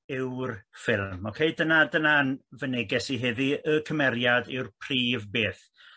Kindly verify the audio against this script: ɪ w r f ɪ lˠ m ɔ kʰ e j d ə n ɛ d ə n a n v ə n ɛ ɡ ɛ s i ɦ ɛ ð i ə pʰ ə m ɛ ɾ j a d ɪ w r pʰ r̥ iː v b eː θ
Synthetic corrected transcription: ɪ w r f ɪ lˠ m ɔ kʰ e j d ə n a d ə n a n v ə n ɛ ɡ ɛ s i ɦ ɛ ð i ə kʰ ə m ɛ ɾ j a d ɪ w r pʰ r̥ iː v b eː θ

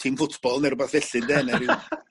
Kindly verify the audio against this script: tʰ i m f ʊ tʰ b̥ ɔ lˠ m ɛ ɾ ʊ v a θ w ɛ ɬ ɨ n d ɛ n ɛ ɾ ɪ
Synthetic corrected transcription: tʰ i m f ʊ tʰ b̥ ɔ lˠ n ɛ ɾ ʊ b a θ v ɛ ɬ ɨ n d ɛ n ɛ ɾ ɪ

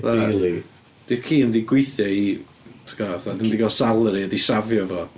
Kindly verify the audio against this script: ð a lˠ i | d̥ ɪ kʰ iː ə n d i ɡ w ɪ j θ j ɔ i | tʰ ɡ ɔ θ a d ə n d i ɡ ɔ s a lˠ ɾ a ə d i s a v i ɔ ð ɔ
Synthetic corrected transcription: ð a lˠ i | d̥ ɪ kʰ iː ə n d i ɡ w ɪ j θ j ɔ i | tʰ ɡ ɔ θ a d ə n d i ɡ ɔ s a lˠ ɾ i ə d i s a v j ɔ v ɔ

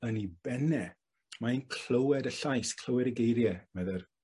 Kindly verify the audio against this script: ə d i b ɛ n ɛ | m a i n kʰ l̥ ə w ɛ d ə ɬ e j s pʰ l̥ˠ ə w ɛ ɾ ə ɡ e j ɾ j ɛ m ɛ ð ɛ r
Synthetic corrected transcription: ə n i b ɛ n ɛ | m a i n kʰ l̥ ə w ɛ d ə ɬ a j s kʰ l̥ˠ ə w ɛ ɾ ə ɡ e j ɾ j ɛ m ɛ ð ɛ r

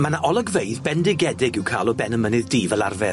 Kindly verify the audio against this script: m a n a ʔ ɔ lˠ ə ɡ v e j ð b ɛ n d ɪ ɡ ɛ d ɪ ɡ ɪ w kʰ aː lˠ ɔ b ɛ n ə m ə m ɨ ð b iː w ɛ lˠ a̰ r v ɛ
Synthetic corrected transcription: m a n a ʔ ɔ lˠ ə ɡ v e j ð b ɛ n d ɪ ɡ ɛ d ɪ ɡ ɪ w kʰ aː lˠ ɔ b ɛ n ə m ə n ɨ ð d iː v ɛ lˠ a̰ r v ɛ

